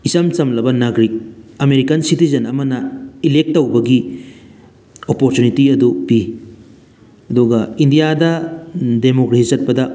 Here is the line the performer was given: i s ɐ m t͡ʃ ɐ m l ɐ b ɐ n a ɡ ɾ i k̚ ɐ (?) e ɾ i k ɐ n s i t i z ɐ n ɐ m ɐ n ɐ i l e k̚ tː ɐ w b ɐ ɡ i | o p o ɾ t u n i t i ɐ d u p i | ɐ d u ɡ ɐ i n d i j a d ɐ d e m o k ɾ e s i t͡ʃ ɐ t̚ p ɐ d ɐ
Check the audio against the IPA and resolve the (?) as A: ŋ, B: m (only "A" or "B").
B